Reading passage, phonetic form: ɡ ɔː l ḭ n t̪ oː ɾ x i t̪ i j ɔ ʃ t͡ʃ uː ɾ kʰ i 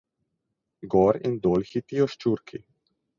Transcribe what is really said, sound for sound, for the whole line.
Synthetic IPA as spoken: ɡ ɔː ɾ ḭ n d̪ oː l x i t̪ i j ɔ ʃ t͡ʃ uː ɾ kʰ i

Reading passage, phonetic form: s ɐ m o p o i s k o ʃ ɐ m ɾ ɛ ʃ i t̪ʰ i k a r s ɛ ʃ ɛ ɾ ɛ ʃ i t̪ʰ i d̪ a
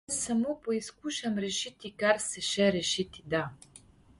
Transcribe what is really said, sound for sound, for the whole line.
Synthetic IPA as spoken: s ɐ m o p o i s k u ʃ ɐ m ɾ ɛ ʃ i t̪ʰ i k a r s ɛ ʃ ɛ ɾ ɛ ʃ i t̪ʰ i d̪ a

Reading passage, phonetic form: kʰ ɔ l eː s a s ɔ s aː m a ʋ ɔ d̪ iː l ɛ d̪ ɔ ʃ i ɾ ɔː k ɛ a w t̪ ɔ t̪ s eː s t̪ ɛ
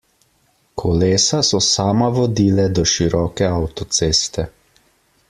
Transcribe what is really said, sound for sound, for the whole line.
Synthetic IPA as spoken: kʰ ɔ l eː s a s ɔ s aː m a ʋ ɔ d̪ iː l ɛ d̪ ɔ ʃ i ɾ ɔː k ɛ a w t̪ ɔ t̪ s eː s t̪ ɛ

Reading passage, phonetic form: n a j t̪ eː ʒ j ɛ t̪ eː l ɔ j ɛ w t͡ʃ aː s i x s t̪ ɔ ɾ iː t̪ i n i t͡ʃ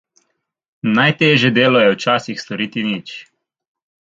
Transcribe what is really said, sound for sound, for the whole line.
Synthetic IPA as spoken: n a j t̪ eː ʒ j ɛ d̪ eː l ɔ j ɛ w t͡ʃ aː s i x s t̪ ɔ ɾ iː t̪ i n i t͡ʃ

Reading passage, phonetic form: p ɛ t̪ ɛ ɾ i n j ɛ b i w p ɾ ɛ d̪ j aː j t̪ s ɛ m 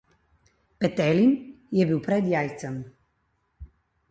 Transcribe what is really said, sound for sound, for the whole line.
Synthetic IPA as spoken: p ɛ t̪ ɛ l i n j ɛ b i w p ɾ ɛ d̪ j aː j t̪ s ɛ m

